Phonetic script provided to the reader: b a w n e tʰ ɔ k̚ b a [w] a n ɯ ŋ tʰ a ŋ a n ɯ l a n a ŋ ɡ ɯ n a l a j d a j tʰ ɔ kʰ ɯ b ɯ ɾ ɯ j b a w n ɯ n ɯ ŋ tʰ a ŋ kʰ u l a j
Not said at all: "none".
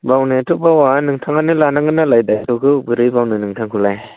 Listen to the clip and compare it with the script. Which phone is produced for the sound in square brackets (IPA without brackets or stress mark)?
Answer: w